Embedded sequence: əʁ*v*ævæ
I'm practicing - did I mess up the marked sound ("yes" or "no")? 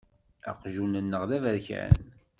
yes